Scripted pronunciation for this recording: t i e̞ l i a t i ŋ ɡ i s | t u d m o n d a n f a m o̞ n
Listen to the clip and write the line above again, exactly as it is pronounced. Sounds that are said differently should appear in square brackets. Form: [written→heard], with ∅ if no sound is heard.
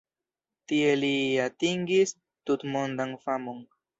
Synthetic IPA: t i e̞ l i a t i ŋ ɡ i s | t u [d→t] m o n d a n f a m o̞ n

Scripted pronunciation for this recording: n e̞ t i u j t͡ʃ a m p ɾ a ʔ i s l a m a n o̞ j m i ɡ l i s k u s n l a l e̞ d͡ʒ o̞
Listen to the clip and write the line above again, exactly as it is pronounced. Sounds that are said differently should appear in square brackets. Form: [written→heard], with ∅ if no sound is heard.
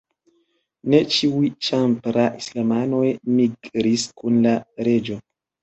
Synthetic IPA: n e̞ [t→t͡ʃ] i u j t͡ʃ a m p ɾ a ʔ i s l a m a n o̞ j m i ɡ [l→ɾ] i s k u [s→∅] n l a [l→ɾ] e̞ d͡ʒ o̞

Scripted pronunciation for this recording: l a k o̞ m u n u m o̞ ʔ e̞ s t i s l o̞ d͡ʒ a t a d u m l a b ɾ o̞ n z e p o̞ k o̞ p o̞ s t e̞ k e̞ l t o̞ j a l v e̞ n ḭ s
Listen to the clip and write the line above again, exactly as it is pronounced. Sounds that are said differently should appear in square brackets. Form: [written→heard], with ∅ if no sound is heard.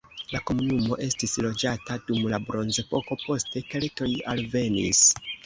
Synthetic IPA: l a k o̞ m u n u m o̞ ʔ e̞ s t i s l o̞ d͡ʒ a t a d u m l a b ɾ o̞ n z e p o̞ k o̞ p o̞ s t e̞ k e̞ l t o̞ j a l v e̞ n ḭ s

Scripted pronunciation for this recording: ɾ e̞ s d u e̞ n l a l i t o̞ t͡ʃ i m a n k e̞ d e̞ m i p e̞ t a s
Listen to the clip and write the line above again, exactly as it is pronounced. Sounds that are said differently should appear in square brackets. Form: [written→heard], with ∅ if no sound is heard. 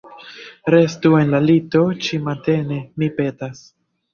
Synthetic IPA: ɾ e̞ s [d→t] u e̞ n l a l i t o̞ t͡ʃ i m a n [k→t] e̞ [d→n] e̞ m i p e̞ t a s

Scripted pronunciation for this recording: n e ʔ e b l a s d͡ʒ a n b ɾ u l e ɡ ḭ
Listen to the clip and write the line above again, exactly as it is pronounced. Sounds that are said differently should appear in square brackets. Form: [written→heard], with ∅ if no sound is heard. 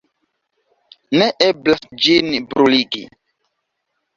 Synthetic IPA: n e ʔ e b l a s d͡ʒ [a→i] n b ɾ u l [e→i] ɡ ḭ

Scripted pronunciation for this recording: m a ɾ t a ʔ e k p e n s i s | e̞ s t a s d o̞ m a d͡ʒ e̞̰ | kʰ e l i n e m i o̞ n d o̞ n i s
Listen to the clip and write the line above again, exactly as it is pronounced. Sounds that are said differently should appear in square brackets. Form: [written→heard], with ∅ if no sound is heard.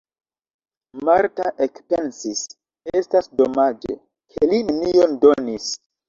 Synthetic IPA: m a ɾ t a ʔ e k p e n s i s | e̞ s t a s d o̞ m a d͡ʒ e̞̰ | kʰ e l i n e [m→n] i o̞ n d o̞ n i s

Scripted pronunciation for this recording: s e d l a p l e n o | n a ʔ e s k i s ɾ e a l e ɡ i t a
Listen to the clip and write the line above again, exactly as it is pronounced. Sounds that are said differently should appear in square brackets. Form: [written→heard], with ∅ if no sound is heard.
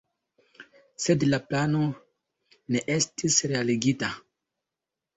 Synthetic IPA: s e d l a p l [e→a] n o | n [a→e] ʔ e s [k→t] i s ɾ e a l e ɡ i t a

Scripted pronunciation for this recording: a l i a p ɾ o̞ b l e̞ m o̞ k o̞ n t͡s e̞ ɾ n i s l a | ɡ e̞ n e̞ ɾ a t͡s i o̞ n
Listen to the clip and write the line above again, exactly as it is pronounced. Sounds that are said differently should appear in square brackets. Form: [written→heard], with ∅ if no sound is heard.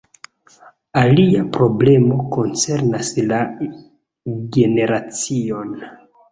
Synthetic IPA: a l i a p ɾ o̞ b l e̞ m o̞ k o̞ n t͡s e̞ ɾ n [i→a] s l a | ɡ e̞ n e̞ ɾ a t͡s i o̞ n

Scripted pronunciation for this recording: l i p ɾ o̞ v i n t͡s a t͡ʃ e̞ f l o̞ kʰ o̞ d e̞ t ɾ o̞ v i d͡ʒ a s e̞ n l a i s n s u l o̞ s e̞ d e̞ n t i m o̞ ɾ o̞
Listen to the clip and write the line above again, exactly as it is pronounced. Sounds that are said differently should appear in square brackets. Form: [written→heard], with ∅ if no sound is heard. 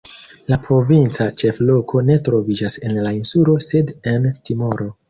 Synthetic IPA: l [i→a] p ɾ o̞ v i n t͡s a t͡ʃ e̞ f l o̞ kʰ o̞ [d→n] e̞ t ɾ o̞ v i d͡ʒ a s e̞ n l a i [s→∅] n s u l o̞ s e̞ d e̞ n t i m o̞ ɾ o̞

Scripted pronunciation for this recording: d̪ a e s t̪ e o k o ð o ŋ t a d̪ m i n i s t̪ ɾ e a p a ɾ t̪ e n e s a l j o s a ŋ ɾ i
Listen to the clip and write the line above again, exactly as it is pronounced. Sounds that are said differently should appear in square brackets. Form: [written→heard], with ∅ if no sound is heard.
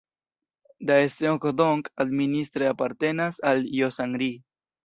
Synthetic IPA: d̪ a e s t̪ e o k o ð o ŋ [t→k] a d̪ m i n i s t̪ ɾ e a p a ɾ t̪ e n [e→a] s a l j o s a ŋ ɾ i

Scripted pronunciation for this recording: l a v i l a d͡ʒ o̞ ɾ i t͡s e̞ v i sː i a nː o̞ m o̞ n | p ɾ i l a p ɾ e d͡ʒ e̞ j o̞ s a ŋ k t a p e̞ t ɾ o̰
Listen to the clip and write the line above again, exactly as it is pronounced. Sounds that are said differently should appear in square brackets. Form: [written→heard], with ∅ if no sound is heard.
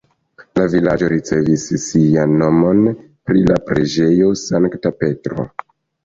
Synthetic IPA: l a v i l a d͡ʒ o̞ ɾ i t͡s e̞ v i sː i a nː o̞ m o̞ n | p ɾ i l a p ɾ e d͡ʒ e̞ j o̞ s a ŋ k t a p e̞ t ɾ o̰

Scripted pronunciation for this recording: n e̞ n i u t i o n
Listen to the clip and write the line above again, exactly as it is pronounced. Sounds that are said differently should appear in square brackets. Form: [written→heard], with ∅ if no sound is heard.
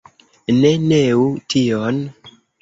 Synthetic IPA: n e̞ n [i→e] u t i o n

